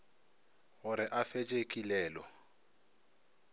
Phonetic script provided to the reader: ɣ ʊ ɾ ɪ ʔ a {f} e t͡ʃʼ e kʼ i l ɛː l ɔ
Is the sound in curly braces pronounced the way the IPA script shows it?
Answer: yes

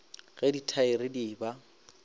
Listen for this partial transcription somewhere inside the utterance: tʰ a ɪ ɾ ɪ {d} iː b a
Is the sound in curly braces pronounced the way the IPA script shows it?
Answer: yes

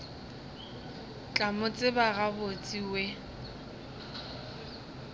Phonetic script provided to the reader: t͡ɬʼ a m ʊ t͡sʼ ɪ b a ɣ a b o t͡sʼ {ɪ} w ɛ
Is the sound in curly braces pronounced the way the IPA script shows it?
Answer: no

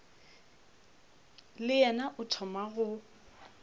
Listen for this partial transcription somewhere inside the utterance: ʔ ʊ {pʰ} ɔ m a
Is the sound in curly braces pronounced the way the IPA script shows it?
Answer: no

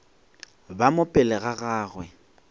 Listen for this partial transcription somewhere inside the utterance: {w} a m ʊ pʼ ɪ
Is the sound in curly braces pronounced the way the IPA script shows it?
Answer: no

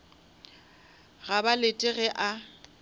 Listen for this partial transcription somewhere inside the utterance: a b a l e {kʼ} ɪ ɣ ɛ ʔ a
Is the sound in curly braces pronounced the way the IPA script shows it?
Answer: no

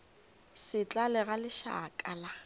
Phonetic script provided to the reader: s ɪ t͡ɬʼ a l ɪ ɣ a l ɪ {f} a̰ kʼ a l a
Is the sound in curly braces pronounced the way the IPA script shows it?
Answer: no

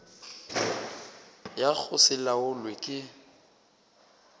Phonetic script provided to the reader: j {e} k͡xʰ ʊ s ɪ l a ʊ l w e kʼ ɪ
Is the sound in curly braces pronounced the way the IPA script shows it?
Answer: no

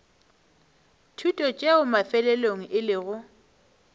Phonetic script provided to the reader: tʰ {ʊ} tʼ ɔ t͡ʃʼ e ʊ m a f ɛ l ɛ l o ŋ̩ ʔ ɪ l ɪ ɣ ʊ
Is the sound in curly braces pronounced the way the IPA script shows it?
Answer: no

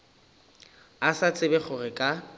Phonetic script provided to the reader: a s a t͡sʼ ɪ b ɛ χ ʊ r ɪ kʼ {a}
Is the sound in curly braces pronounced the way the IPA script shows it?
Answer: yes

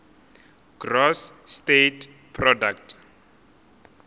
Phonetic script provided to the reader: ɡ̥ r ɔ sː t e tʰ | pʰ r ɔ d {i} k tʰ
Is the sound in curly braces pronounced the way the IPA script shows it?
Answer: no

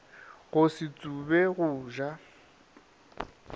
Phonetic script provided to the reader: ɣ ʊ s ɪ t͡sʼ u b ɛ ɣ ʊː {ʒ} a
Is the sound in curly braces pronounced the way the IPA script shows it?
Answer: yes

